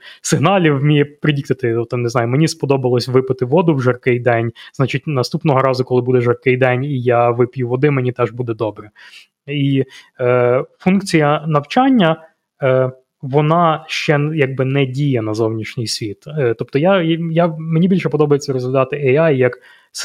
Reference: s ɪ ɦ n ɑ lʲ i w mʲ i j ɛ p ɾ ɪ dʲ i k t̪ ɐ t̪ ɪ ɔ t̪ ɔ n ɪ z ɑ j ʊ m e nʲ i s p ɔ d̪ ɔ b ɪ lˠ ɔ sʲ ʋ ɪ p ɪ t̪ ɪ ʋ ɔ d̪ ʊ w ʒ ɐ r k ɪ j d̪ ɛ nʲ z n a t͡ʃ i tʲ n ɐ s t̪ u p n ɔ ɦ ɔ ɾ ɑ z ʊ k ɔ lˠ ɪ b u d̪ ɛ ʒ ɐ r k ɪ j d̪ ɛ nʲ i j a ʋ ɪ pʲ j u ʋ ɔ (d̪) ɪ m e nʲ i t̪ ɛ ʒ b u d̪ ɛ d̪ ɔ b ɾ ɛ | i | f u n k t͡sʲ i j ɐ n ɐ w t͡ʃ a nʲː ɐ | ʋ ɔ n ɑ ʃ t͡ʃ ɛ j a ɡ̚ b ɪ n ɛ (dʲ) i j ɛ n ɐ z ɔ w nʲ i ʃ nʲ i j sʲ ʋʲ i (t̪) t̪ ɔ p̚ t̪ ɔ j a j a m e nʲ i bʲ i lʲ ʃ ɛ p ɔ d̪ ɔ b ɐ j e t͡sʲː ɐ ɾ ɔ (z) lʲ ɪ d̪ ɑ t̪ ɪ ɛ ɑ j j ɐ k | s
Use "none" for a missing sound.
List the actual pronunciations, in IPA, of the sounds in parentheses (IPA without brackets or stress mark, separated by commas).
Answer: d̪, dʲ, t̪, z